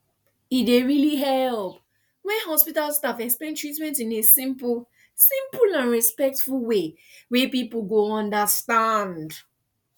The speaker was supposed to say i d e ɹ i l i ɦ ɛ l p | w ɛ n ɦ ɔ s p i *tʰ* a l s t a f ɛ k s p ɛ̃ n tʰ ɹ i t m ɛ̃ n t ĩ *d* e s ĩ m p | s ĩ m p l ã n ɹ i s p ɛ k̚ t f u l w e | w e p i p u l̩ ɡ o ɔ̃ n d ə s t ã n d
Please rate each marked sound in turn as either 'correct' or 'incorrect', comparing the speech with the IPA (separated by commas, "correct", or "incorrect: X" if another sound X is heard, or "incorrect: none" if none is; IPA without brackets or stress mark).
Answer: incorrect: t, incorrect: n